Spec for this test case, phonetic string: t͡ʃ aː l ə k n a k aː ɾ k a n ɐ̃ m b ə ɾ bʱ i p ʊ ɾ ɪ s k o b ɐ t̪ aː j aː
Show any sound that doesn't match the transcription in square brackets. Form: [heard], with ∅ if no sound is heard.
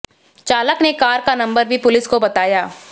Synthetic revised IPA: t͡ʃ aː l ə k n [e] k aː ɾ k a n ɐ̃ m b ə ɾ bʱ i p ʊ [l] ɪ s k o b ɐ t̪ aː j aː